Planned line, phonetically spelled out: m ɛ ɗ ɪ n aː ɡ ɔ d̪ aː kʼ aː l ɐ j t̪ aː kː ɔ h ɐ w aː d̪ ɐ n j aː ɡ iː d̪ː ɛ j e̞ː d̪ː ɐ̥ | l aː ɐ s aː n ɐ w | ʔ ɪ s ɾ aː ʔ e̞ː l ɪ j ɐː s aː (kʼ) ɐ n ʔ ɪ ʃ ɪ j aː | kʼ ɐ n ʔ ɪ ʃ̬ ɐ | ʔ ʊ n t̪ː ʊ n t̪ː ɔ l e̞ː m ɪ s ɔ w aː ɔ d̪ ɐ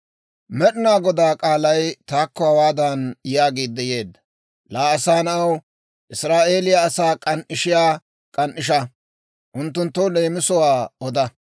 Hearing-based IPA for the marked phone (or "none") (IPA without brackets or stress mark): kʼ